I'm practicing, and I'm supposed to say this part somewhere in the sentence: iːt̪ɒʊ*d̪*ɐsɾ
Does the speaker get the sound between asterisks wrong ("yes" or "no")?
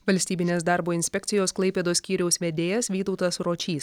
yes